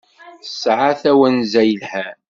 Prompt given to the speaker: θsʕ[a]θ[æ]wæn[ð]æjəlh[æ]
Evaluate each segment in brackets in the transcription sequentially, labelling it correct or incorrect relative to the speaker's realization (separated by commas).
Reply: correct, correct, incorrect, correct